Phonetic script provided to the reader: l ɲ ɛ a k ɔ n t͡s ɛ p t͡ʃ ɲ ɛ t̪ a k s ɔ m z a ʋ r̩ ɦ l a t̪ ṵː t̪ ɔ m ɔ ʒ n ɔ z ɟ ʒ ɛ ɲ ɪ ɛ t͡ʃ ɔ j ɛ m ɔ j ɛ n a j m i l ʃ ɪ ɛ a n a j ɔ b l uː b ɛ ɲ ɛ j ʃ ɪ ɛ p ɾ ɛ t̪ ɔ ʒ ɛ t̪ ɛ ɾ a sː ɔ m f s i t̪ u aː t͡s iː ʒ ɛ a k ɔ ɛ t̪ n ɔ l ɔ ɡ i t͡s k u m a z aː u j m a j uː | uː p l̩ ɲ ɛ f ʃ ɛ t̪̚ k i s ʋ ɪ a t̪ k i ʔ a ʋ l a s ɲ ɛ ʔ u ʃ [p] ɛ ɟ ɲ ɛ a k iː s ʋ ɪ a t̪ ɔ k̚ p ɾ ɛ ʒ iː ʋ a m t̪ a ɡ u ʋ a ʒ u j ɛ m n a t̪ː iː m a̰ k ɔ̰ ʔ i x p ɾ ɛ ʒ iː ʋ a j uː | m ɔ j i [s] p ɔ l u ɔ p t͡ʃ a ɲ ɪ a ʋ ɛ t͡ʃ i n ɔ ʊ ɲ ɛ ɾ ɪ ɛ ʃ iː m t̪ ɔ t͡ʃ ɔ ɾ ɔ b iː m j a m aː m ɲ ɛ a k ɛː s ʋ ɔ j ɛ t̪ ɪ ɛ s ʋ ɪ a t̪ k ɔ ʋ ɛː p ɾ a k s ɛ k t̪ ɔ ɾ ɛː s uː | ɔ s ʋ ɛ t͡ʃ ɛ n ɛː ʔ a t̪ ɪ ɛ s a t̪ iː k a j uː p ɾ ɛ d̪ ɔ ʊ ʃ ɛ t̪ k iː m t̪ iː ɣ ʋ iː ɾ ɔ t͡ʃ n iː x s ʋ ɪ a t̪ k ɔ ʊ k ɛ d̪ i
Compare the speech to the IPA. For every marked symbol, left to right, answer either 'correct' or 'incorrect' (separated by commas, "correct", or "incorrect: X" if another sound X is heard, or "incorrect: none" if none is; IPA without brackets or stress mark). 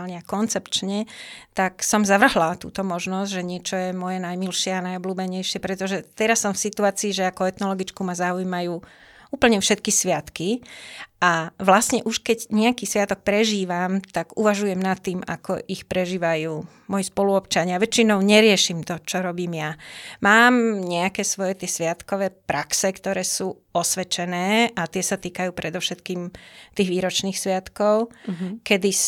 incorrect: k, correct